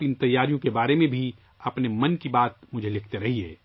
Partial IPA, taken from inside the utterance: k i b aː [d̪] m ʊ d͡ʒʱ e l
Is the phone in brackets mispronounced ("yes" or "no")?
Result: yes